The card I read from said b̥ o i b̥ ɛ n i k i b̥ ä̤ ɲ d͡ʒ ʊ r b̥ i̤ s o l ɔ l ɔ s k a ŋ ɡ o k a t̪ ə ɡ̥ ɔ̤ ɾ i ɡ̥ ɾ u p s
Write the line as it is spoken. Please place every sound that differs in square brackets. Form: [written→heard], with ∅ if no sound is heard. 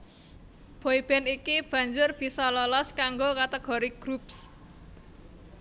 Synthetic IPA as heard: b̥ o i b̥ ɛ n i k i b̥ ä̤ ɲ d͡ʒ ʊ r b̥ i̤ s [o→ɔ] l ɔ l ɔ s k a ŋ ɡ o k a t̪ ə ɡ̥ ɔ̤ ɾ i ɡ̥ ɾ u p s